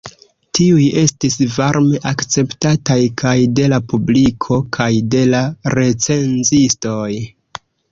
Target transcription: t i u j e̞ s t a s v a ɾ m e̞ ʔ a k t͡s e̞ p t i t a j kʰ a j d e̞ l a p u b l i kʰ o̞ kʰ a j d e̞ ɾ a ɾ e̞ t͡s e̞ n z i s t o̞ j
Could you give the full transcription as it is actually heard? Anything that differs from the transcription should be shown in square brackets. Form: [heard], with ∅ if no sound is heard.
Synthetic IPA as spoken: t i u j e̞ s t [i] s v a ɾ m e̞ ʔ a k t͡s e̞ p t [a] t a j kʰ a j d e̞ l a p u b l i kʰ o̞ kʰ a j d e̞ [l] a ɾ e̞ t͡s e̞ n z i s t o̞ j